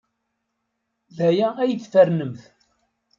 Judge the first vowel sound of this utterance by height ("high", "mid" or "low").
low